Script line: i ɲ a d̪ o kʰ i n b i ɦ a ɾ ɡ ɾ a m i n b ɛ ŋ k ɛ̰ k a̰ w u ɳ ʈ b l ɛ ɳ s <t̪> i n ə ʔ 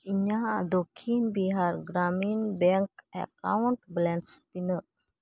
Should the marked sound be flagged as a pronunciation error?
no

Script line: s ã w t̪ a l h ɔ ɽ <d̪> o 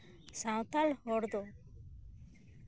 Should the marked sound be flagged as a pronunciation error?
no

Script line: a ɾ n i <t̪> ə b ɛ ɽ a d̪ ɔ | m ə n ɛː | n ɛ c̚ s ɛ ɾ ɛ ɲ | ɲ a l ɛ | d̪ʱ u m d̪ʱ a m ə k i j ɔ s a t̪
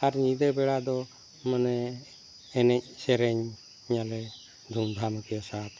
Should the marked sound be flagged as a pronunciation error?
yes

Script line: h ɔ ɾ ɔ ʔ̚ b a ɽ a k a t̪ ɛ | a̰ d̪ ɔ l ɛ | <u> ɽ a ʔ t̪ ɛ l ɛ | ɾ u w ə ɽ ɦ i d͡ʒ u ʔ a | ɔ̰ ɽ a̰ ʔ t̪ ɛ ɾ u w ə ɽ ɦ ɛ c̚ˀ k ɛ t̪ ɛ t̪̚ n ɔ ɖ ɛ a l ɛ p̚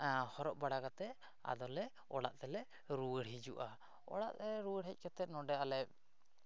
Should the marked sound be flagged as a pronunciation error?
yes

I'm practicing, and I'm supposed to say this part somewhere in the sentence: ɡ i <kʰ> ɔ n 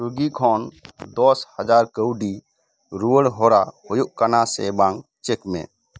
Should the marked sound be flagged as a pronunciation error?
no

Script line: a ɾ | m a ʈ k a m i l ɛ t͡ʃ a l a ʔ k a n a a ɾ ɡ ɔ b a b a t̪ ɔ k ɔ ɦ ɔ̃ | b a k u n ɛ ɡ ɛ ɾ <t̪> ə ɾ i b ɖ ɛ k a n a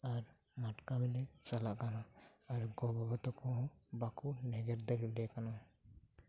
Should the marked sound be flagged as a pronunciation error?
yes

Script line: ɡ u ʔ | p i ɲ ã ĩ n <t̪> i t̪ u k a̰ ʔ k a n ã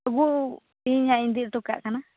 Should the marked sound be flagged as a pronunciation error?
yes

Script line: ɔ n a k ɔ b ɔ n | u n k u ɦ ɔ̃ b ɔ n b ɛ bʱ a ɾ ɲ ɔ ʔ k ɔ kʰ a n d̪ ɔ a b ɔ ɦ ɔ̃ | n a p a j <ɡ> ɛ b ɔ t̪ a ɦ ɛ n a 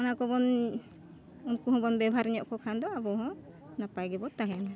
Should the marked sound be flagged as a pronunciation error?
no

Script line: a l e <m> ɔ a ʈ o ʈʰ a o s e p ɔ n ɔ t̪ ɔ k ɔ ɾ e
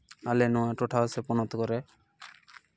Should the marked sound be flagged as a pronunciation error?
yes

